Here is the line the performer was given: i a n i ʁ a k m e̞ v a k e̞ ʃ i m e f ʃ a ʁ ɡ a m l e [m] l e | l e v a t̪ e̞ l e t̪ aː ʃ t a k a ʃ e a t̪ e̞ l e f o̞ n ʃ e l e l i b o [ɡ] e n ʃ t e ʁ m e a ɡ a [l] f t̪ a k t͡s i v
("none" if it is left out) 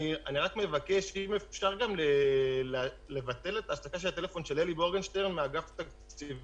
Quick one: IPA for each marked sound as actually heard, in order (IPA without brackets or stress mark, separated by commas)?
none, ɡ, none